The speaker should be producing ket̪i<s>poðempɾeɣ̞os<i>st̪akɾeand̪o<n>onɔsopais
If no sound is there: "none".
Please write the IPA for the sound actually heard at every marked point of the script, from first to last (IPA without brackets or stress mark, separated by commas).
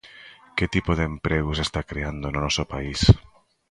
none, e, n